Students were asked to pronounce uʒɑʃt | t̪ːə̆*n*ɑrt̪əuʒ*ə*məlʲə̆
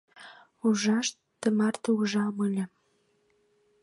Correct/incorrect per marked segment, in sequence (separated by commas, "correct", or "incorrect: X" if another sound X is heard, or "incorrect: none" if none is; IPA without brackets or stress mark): incorrect: m, incorrect: ɑ